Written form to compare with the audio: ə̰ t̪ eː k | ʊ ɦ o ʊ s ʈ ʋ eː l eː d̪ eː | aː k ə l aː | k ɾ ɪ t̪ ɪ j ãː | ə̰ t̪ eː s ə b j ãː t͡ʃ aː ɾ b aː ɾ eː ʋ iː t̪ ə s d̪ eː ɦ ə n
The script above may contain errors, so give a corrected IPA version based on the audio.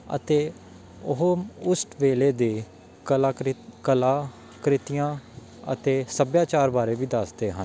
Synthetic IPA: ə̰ t̪ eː | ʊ ɦ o ʊ s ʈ ʋ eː l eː d̪ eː | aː k ə l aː | k ɾ ɪ t̪ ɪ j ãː | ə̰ t̪ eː s ə b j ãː t͡ʃ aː ɾ b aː ɾ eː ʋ iː d̪ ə s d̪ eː ɦ ə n